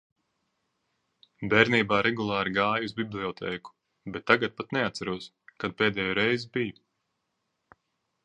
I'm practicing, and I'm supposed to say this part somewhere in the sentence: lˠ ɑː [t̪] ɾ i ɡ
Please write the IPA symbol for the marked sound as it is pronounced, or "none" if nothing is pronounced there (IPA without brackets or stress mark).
none